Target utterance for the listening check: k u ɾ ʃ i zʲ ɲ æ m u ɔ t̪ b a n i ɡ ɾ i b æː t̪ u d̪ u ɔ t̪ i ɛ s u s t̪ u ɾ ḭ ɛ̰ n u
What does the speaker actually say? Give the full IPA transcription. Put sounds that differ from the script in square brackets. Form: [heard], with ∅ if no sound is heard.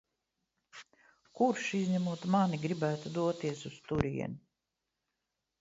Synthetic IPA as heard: k u ɾ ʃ i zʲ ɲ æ m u ɔ t̪ [m] a n i ɡ ɾ i b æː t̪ u d̪ u ɔ t̪ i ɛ s u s t̪ u ɾ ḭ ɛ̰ n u